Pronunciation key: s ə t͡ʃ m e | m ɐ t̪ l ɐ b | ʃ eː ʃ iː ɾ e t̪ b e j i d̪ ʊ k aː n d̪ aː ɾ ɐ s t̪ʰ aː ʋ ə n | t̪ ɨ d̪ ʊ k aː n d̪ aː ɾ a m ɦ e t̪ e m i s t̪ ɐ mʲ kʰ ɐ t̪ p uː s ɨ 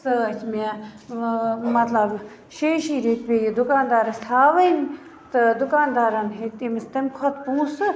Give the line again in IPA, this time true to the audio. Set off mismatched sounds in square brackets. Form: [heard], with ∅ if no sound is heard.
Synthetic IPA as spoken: s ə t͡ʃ m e | m ɐ t̪ l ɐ b | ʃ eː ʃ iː ɾ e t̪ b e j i d̪ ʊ k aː n d̪ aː ɾ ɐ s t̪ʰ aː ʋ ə n | t̪ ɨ d̪ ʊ k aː n d̪ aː ɾ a [n] ɦ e t̪ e m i s t̪ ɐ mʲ kʰ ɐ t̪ p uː s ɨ